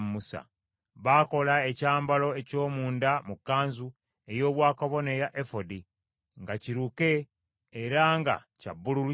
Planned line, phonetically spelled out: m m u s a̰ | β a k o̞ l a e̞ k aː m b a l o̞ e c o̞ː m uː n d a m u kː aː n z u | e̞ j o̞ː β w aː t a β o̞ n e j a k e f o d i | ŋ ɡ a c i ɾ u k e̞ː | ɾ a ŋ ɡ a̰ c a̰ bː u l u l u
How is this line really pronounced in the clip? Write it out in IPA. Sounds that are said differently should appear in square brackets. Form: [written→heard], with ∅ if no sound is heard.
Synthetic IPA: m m u s a̰ | β a k o̞ l a e̞ [k→c] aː m b a l o̞ e c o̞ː m uː n d a m u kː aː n z u | e̞ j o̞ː β w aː [t→k] a β o̞ n e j a [k→ʔ] e f o d i | ŋ ɡ a c i ɾ u k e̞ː | ɾ a ŋ ɡ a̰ c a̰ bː u l u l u